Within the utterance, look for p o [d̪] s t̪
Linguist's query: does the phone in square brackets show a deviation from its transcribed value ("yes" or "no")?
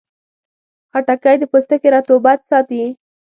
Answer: yes